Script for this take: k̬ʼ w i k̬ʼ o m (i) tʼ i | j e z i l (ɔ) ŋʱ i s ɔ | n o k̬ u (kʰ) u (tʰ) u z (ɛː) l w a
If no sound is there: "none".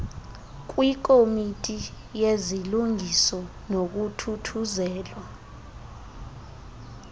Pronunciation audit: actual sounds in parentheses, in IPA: i, u, tʰ, tʰ, ɛː

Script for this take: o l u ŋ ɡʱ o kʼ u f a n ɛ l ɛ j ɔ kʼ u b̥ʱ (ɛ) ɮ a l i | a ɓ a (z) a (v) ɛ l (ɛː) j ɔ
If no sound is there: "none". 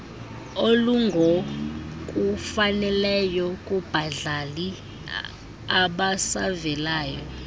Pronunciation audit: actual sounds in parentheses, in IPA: a, s, v, aː

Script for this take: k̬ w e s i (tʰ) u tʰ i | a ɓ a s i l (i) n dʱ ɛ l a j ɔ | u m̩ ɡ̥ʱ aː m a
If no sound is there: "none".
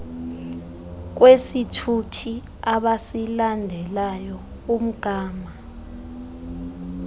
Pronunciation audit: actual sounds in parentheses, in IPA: tʰ, a

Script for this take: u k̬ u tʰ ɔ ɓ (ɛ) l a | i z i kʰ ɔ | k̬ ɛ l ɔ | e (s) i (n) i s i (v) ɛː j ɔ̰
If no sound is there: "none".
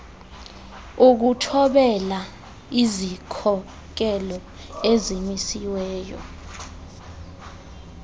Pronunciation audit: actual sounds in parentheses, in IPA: ɛ, z, m, w

